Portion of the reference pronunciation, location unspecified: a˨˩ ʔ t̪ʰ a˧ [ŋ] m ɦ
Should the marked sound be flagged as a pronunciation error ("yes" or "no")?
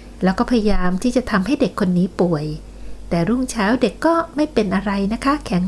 yes